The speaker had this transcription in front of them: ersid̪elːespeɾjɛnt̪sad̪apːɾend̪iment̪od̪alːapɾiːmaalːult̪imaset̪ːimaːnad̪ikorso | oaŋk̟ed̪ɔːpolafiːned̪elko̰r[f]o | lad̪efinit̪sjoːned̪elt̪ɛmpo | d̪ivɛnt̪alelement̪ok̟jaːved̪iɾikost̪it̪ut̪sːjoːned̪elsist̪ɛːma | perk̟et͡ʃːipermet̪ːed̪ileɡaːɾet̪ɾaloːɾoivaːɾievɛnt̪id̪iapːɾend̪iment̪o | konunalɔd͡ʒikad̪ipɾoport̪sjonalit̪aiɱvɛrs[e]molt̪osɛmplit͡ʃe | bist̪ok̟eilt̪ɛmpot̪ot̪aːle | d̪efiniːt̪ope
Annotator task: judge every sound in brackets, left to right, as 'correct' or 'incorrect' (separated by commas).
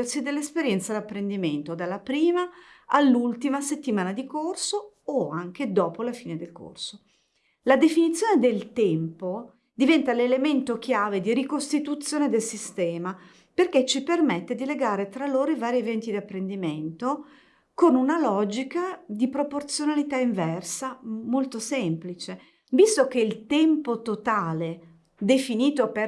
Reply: incorrect, incorrect